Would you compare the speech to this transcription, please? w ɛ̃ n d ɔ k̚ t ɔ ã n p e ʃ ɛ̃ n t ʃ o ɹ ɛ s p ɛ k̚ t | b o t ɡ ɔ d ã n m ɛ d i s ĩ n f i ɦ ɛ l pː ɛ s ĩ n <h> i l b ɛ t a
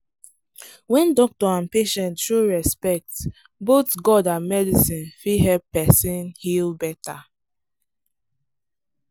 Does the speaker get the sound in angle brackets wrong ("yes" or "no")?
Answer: no